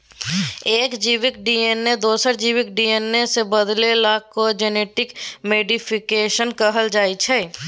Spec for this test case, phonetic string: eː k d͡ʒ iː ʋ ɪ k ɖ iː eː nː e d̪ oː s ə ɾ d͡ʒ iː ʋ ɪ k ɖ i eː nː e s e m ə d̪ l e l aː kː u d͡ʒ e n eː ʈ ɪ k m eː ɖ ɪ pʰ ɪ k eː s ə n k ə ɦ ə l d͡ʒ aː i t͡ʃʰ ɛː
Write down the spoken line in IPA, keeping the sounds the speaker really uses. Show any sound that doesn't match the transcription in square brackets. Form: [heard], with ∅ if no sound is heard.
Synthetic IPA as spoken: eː k d͡ʒ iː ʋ ɪ k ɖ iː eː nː e d̪ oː s ə ɾ d͡ʒ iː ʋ ɪ k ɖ i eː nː e s e [b] ə d̪ l e l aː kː [o] d͡ʒ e n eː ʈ ɪ k m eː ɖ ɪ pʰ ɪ k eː [ʃ] ə n k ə ɦ ə l d͡ʒ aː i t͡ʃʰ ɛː